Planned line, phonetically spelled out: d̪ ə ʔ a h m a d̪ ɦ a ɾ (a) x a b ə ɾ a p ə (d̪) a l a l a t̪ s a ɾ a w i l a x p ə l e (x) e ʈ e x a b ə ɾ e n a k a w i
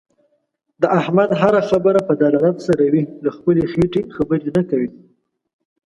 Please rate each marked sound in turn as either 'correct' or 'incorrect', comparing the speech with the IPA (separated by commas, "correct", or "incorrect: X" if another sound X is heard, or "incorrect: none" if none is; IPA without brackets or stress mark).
correct, correct, correct